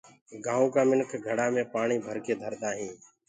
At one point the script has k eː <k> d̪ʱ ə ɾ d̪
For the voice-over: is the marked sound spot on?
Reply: no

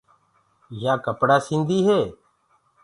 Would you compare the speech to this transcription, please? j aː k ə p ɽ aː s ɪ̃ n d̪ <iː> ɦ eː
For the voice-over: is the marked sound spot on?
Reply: yes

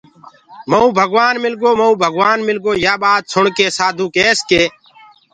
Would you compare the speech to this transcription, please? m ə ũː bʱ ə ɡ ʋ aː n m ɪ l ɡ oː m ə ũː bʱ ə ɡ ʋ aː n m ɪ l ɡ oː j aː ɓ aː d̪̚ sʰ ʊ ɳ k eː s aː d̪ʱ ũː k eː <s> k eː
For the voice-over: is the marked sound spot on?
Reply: yes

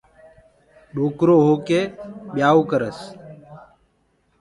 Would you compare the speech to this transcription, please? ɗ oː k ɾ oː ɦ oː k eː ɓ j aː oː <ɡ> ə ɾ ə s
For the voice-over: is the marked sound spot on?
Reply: no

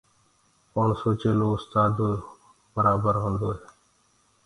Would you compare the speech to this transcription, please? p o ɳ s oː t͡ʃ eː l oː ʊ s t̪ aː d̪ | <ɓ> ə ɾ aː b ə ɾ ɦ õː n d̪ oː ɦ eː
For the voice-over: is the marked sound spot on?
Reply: no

